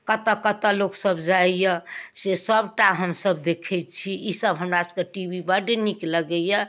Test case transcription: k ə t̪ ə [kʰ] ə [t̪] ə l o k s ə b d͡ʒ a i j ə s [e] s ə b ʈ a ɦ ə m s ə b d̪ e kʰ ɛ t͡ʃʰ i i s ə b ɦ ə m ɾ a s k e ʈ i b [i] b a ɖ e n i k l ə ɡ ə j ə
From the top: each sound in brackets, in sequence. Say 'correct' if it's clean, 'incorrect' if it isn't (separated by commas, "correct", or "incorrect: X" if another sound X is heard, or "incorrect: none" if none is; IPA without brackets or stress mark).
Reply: incorrect: k, correct, correct, correct